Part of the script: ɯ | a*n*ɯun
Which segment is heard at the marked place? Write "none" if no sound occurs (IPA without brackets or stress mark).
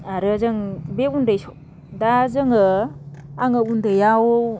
ŋ